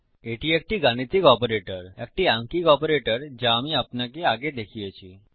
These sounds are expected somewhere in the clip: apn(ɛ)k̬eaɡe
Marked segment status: incorrect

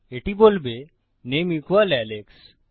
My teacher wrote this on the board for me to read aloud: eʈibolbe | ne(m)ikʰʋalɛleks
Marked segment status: correct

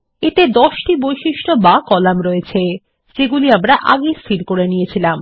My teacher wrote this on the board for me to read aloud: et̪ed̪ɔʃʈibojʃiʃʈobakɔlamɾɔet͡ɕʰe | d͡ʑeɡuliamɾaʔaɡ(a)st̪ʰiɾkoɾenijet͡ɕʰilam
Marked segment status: incorrect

